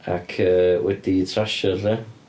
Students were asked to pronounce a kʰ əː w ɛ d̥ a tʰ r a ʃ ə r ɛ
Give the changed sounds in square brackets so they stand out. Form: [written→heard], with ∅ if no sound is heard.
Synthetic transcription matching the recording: a kʰ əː w ɛ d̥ [a→i] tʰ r a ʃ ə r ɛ